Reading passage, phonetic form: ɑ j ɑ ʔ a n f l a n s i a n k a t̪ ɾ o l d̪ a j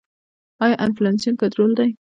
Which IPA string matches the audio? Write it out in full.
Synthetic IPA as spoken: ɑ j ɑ ʔ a n f l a n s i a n k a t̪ ɾ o l d̪ a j